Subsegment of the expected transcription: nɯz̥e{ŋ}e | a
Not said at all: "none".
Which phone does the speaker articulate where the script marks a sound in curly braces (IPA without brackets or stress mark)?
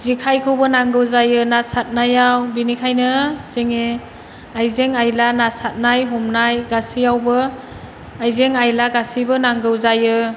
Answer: ŋ